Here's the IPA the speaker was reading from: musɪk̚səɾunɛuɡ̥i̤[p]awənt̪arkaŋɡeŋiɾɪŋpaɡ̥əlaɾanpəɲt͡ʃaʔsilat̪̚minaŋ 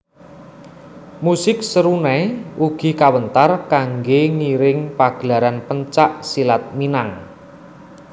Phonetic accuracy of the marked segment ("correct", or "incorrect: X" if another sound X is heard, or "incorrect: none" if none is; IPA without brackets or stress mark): incorrect: k